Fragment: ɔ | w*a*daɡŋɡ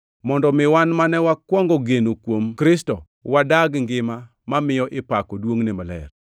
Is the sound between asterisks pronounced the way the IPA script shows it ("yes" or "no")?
yes